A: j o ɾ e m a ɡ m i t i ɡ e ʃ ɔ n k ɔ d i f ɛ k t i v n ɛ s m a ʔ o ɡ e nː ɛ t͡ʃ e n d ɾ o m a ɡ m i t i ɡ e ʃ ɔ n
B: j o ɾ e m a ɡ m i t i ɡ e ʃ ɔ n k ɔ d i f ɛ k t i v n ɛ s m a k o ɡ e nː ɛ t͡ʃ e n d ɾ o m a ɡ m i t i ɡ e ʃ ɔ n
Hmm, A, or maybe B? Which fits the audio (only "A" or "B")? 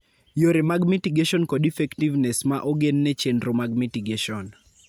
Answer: A